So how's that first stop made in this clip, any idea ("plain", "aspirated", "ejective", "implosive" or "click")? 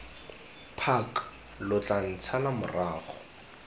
aspirated